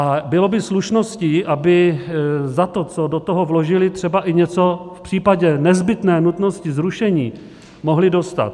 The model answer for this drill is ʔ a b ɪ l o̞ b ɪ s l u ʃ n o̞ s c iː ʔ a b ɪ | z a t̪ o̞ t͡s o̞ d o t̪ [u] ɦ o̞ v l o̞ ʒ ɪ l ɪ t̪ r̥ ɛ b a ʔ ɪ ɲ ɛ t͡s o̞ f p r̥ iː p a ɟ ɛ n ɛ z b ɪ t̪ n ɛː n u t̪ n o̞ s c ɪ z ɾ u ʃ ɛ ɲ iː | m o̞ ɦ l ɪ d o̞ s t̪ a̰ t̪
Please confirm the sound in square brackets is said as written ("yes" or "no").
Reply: no